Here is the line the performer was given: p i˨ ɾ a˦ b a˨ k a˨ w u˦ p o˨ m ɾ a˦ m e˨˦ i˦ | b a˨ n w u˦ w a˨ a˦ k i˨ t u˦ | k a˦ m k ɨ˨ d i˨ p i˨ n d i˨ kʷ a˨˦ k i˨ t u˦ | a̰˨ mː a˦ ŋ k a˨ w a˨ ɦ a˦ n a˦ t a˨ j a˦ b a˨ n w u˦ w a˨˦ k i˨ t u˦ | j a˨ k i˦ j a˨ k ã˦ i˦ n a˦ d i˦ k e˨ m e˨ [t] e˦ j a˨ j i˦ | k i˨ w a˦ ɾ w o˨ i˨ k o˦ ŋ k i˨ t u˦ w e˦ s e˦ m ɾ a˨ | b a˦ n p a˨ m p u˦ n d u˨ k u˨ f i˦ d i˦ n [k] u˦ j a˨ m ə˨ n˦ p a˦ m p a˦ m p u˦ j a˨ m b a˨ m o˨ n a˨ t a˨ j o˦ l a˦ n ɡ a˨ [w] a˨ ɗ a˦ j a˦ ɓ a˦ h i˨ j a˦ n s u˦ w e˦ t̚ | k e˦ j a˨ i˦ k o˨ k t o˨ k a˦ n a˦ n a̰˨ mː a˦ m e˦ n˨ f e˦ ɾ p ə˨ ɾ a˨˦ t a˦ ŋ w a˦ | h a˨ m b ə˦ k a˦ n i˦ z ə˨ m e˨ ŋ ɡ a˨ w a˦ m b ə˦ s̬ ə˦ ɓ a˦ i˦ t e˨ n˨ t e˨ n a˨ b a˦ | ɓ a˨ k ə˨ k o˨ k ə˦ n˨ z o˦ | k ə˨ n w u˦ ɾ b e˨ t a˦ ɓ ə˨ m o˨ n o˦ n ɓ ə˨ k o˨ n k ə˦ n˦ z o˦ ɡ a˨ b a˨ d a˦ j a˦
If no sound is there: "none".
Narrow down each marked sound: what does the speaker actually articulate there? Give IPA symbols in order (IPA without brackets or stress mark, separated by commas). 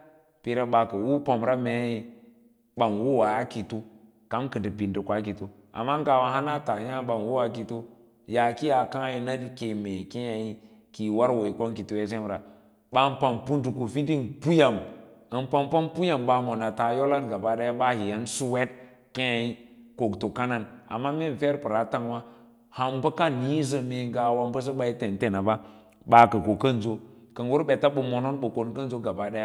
k, p, b